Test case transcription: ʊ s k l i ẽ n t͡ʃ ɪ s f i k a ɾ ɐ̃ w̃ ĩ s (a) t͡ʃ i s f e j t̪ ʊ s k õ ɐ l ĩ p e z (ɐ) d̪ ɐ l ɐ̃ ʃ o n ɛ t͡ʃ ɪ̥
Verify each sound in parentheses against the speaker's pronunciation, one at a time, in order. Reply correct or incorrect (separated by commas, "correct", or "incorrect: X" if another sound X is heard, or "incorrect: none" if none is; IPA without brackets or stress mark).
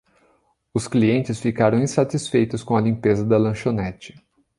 correct, correct